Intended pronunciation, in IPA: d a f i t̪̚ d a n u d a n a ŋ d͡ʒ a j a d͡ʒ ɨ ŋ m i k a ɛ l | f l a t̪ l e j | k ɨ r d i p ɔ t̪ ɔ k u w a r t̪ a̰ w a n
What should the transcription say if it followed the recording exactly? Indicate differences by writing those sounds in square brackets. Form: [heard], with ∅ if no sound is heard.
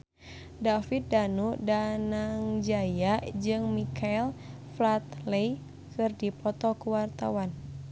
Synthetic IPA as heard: d a f i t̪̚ d a n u d a n a ŋ d͡ʒ a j a d͡ʒ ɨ ŋ m i k a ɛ l | f l a t̪ l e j | k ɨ r d i p ɔ t̪ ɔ k u w a r t̪ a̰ w a n